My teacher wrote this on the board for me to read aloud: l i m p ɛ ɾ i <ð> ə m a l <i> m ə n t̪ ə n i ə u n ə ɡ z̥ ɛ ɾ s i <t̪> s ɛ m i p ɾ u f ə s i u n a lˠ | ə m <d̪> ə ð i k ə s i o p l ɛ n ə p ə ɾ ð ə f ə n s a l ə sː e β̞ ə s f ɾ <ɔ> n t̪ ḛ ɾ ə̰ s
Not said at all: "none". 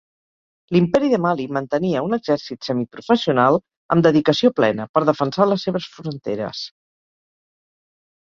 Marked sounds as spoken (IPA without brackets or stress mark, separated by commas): ð, i, t̪, d̪, u